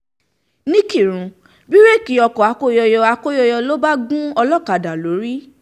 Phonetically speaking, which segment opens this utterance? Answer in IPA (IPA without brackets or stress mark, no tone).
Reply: n